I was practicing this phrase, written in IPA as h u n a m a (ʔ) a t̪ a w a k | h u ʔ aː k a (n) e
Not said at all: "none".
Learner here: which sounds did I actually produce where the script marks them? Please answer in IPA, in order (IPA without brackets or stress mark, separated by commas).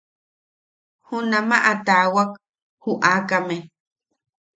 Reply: ʔ, m